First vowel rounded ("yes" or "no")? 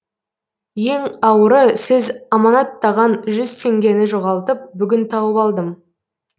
no